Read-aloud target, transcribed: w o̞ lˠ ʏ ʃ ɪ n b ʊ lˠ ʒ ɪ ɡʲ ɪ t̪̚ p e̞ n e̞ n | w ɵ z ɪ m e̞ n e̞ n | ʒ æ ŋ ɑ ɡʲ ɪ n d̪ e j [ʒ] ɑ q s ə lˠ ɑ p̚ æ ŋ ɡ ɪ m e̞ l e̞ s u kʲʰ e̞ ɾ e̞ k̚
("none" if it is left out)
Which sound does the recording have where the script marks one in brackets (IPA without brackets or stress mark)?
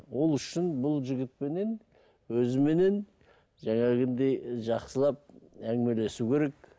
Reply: ʒ